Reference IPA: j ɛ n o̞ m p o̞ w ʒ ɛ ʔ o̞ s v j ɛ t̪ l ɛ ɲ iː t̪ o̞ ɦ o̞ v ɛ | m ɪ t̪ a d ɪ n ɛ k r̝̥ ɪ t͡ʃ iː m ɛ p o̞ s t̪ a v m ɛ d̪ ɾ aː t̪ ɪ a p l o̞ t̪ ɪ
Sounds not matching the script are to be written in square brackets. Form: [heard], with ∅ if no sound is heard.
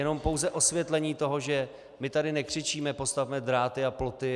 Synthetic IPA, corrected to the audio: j ɛ n o̞ m p o̞ w [z] ɛ ʔ o̞ s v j ɛ t̪ l ɛ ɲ iː t̪ o̞ ɦ o̞ [ʒ] ɛ | m ɪ t̪ a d ɪ n ɛ k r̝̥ ɪ t͡ʃ iː m ɛ p o̞ s t̪ a v m ɛ d̪ ɾ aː t̪ ɪ a p l o̞ t̪ ɪ